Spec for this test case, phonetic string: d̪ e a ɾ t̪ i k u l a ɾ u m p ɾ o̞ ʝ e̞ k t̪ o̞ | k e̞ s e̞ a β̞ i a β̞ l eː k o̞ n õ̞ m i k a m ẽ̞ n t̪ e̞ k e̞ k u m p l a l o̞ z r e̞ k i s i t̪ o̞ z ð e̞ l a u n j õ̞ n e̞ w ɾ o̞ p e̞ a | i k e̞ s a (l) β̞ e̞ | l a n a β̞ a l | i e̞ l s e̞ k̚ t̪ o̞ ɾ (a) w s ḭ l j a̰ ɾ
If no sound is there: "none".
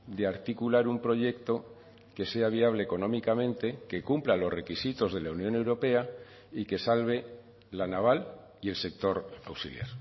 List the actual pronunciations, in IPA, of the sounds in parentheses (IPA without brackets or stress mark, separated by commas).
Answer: l, a